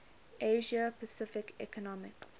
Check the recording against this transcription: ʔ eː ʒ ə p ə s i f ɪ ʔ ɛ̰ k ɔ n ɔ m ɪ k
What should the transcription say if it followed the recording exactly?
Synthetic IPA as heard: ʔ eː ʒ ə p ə s ɪ f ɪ k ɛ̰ k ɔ n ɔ m ɪ k